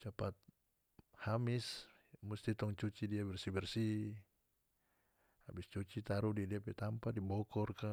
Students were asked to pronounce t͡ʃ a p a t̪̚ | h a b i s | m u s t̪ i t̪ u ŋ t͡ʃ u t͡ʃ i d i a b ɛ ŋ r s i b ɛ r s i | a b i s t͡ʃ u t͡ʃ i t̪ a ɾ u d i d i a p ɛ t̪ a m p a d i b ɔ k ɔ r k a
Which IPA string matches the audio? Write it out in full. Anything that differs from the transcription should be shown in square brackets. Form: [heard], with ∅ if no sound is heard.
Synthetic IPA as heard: t͡ʃ a p a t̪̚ | h a [m] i s | m u s t̪ i t̪ [ɔ] ŋ t͡ʃ u t͡ʃ i d i a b ɛ [∅] r s i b ɛ r s i | a b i s t͡ʃ u t͡ʃ i t̪ a ɾ u d i d i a p ɛ t̪ a m p a d i b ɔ k ɔ r k a